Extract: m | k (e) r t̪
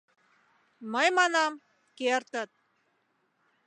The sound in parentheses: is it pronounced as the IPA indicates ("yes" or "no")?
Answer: yes